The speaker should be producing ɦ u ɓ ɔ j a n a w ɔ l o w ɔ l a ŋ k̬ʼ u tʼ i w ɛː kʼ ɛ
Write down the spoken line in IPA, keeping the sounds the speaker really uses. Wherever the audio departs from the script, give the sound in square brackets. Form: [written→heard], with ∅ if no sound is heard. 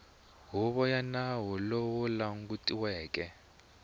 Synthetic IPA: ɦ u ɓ ɔ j a n a w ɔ l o w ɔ l a ŋ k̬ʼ u tʼ i w ɛː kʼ ɛ